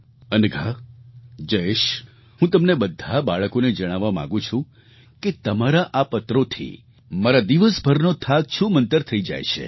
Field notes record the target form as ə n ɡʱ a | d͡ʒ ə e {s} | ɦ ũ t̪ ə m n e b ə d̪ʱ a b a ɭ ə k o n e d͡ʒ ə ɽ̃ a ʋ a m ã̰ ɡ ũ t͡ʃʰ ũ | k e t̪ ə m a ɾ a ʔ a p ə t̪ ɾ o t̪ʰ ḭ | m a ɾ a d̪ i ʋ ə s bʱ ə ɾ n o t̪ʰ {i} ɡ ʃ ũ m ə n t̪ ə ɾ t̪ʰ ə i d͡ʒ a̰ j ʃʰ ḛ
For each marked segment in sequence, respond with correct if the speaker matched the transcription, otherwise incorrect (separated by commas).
incorrect, incorrect